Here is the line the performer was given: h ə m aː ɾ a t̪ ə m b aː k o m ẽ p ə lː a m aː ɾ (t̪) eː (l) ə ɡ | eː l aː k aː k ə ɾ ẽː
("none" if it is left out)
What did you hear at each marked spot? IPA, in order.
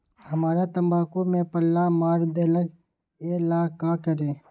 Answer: d̪, l

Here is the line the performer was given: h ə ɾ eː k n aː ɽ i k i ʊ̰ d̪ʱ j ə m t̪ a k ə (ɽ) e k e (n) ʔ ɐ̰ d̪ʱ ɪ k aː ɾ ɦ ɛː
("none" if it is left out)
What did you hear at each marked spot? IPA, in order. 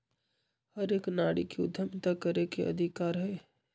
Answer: ɾ, none

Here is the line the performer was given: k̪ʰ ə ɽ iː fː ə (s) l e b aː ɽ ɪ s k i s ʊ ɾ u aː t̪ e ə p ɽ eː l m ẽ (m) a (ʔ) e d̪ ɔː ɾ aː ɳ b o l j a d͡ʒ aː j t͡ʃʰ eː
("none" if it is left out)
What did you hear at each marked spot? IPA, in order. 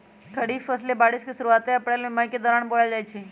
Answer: s, m, k

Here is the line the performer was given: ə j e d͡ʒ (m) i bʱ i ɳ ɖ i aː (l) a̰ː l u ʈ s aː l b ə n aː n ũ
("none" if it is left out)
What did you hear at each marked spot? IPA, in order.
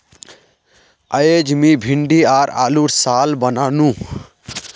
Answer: m, ɾ

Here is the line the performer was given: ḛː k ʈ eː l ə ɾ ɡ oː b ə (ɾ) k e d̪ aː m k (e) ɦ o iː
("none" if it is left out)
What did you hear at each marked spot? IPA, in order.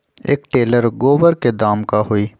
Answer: ɾ, a

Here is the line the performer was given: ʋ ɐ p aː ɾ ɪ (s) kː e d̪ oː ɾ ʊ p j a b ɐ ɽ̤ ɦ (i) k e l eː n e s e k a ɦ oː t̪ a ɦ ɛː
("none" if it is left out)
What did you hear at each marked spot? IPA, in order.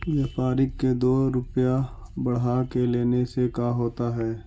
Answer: none, a

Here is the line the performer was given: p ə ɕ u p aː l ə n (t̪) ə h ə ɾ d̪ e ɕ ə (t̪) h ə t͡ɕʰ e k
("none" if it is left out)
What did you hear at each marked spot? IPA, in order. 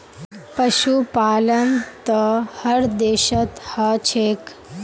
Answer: t̪, t̪

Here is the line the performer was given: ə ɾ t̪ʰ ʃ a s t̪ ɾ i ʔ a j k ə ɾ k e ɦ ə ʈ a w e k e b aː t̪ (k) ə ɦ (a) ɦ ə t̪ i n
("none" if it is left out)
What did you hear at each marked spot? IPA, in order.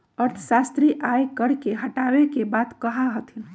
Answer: k, a

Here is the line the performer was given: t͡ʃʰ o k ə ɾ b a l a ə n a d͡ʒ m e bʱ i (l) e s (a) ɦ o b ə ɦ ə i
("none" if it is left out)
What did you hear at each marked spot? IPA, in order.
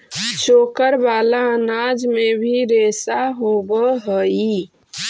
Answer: ɾ, a

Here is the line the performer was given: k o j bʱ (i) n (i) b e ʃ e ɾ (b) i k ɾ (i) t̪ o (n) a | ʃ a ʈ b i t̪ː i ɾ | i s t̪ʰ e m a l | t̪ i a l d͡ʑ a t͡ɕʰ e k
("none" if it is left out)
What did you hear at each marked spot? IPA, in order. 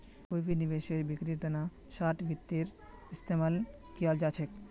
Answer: i, i, b, i, n

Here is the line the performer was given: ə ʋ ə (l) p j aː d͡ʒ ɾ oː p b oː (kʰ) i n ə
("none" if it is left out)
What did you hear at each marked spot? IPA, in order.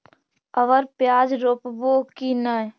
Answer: ɾ, k

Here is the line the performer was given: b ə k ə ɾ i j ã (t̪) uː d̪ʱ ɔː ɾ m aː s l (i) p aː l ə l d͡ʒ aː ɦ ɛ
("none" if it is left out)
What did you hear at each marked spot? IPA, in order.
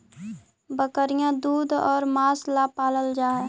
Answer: d̪, a

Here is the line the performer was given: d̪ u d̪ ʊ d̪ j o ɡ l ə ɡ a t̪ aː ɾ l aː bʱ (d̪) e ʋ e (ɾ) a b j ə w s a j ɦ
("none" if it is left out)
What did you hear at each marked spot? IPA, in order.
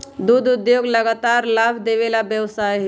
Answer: d̪, l

